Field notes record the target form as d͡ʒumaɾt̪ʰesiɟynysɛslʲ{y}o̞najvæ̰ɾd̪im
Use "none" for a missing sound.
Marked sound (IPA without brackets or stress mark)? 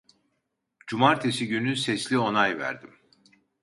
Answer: i